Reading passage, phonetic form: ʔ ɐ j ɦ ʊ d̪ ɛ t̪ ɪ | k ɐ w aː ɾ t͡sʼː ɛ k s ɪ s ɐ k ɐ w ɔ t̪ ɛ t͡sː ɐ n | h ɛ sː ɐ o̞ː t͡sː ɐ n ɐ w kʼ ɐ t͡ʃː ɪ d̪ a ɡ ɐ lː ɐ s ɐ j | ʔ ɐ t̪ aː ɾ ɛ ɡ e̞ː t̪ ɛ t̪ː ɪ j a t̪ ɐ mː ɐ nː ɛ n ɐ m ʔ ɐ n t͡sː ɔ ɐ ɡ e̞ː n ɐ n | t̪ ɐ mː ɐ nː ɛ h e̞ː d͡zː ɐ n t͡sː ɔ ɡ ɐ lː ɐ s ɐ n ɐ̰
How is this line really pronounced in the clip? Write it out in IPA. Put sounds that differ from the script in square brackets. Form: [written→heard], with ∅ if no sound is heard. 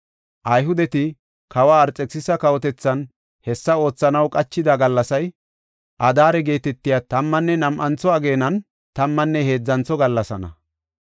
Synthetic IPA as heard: ʔ ɐ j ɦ ʊ d̪ ɛ t̪ ɪ | k ɐ w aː ɾ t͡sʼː ɛ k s ɪ s ɐ k ɐ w ɔ t̪ ɛ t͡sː ɐ n | h ɛ sː ɐ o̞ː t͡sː ɐ n ɐ w kʼ ɐ t͡ʃː ɪ d̪ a ɡ ɐ lː ɐ s ɐ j | ʔ ɐ [t̪→d̪] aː ɾ ɛ ɡ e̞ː t̪ ɛ t̪ː ɪ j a t̪ ɐ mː ɐ nː ɛ n ɐ m ʔ ɐ n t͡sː ɔ ɐ ɡ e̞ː n ɐ n | t̪ ɐ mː ɐ nː ɛ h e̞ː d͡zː ɐ n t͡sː ɔ ɡ ɐ lː ɐ s ɐ n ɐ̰